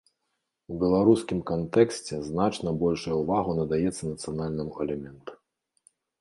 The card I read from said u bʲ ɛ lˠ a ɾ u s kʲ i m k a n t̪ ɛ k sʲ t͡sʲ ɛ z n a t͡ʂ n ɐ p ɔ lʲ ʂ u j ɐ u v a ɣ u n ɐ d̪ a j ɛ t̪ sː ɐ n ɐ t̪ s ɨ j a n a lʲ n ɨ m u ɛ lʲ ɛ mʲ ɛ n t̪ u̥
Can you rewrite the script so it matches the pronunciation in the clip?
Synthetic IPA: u bʲ ɛ lˠ a ɾ u s kʲ i m k a n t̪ ɛ k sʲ t͡sʲ ɛ z n a t͡ʂ n ɐ b ɔ lʲ ʂ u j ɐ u v a ɣ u n ɐ d̪ a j ɛ t̪ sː ɐ n ɐ t̪ s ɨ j a n a lʲ n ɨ m u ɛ lʲ ɛ mʲ ɛ n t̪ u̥

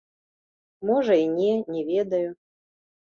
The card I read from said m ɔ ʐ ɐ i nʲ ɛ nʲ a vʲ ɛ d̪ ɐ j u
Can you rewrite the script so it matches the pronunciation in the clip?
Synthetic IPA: m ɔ ʐ ɐ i nʲ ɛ nʲ ɛ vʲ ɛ d̪ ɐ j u

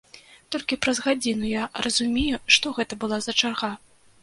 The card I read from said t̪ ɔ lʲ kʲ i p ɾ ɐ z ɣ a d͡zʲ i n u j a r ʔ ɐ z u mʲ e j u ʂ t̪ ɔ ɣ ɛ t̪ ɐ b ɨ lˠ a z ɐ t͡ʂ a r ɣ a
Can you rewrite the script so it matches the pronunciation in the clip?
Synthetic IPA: t̪ ɔ lʲ kʲ i p ɾ ɐ z ɣ a d͡zʲ i n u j a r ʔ ɐ z u mʲ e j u ʂ t̪ ɔ ɣ ɛ t̪ ɐ b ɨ lˠ a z ɐ t͡ʂ a r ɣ a

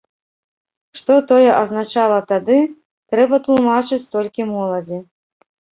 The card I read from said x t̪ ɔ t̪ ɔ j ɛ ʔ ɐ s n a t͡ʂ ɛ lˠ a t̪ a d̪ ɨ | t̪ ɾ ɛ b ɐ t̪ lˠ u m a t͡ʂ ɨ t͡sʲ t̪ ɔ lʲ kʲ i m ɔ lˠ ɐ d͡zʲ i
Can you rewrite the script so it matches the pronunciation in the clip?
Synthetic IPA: ʂ t̪ ɔ t̪ ɔ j ɛ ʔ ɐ z n a t͡ʂ a lˠ ɐ t̪ a d̪ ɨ | t̪ ɾ ɛ b ɐ t̪ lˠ u m a t͡ʂ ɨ t͡sʲ t̪ ɔ lʲ kʲ i m ɔ lˠ ɐ d͡zʲ i

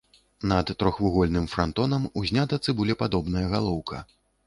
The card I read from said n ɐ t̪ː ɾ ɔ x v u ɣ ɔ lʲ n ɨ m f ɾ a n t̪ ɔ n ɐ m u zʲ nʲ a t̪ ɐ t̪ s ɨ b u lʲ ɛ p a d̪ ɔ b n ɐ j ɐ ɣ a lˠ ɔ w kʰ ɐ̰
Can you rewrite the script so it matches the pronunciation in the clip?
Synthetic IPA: n ɐ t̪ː ɾ ɔ x v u ɣ ɔ lʲ n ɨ m f ɾ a n t̪ ɔ n ɐ m u zʲ nʲ a t̪ ɐ t̪ s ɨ b u lʲ ɛ p a d̪ ɔ b n ɐ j ɐ ɣ a lˠ ɔ w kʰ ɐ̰

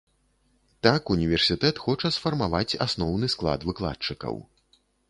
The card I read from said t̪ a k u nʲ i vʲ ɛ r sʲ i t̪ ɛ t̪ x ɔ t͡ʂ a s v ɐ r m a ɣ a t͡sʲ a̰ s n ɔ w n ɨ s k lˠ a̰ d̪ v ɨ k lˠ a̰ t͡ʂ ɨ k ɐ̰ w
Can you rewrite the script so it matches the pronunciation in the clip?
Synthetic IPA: t̪ a k u nʲ i vʲ ɛ r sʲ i t̪ ɛ t̪ x ɔ t͡ʂ ɐ s f ɐ r m a v a t͡sʲ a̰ s n ɔ w n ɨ s k lˠ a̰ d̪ v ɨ k lˠ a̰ t͡ʂ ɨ k ɐ̰ w

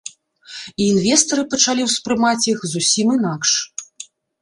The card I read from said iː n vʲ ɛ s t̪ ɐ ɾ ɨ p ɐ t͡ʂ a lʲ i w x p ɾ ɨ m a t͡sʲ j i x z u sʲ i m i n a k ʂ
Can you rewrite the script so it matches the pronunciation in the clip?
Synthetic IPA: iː n vʲ ɛ s t̪ ɐ ɾ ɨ p ɐ t͡ʂ a lʲ i w s p ɾ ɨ m a t͡sʲ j i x z u sʲ i m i n a k ʂ

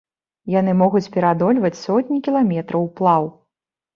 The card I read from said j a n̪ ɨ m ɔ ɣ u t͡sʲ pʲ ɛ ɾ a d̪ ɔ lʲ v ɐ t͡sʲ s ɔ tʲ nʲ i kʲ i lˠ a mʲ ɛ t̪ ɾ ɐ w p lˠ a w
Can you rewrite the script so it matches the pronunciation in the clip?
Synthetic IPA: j a n̪ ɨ m ɔ ɣ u t͡sʲ pʲ ɛ ɾ a d̪ ɔ lʲ v ɐ t͡sʲ s ɔ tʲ nʲ i kʲ i lˠ a mʲ ɛ t̪ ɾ ɐ w p lˠ a w

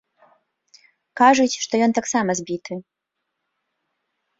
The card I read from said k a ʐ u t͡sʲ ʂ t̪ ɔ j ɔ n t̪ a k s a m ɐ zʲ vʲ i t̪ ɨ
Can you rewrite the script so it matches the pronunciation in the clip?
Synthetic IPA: k a ʐ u t͡sʲ ʂ t̪ ɔ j ɔ n t̪ a k s a m ɐ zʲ bʲ i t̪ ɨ

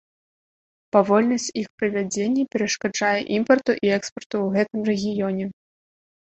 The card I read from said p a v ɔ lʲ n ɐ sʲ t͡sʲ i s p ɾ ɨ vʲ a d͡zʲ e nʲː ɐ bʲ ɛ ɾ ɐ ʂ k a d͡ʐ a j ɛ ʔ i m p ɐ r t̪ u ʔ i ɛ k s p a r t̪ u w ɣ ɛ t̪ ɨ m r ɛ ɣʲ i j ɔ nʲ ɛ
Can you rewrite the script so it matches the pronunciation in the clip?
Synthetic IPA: p a v ɔ lʲ n ɐ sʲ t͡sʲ i x p ɾ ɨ vʲ a d͡zʲ e nʲː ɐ pʲ ɛ ɾ ɐ ʂ k a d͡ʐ a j ɛ ʔ i m p ɐ r t̪ u ʔ i ɛ k s p ɐ r t̪ u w ɣ ɛ t̪ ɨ m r ɛ ɣʲ i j ɔ nʲ ɛ

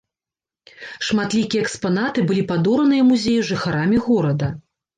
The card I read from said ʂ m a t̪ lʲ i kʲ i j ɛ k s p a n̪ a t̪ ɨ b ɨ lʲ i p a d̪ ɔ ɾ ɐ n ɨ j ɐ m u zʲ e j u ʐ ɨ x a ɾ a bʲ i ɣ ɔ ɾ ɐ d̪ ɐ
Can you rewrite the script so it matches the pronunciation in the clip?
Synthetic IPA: ʂ m a t̪ lʲ i kʲ i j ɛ k s p a n̪ a t̪ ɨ b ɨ lʲ i p a d̪ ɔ ɾ ɐ n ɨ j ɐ m u zʲ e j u ʐ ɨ x a ɾ a mʲ i ɣ ɔ ɾ ɐ d̪ ɐ

